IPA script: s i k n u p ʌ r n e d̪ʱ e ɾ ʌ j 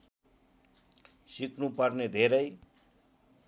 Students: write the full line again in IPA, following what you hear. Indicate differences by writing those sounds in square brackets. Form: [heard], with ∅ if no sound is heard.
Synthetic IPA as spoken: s i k n u p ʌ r n e d̪ʱ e ɾ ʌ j